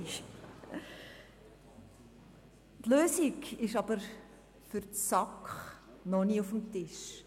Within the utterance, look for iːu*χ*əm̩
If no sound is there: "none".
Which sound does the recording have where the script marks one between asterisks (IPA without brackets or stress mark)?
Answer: f